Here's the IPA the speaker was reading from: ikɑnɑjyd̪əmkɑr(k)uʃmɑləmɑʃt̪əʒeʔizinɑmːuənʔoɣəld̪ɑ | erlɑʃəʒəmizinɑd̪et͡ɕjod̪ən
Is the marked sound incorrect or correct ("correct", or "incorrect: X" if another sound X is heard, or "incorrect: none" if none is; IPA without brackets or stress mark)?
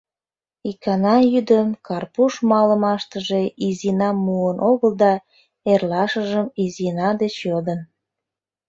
incorrect: p